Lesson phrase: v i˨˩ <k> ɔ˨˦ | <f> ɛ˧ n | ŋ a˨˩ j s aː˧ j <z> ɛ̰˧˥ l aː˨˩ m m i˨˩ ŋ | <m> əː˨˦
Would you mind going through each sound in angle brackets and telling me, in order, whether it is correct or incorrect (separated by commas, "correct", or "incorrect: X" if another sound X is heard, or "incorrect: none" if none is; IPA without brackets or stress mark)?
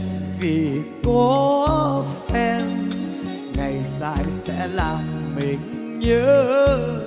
correct, correct, incorrect: s, incorrect: ɲ